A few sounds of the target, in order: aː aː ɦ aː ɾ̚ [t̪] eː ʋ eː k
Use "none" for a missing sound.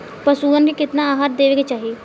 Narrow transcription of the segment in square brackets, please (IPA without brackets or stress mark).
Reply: d̪